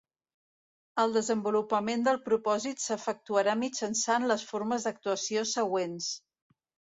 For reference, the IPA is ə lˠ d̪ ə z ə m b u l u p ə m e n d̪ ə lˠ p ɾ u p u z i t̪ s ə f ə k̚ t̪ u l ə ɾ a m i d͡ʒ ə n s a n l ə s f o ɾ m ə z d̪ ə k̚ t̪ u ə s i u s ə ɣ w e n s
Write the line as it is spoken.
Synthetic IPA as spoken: ə lˠ d̪ ə z ə m b u l u p ə m e n d̪ ə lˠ p ɾ u p ɔ z i t̪ s ə f ə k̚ t̪ u ə ɾ a m i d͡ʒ ə n s a n l ə s f o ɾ m ə z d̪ ə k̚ t̪ u ə s i o s ə ɣ w e n s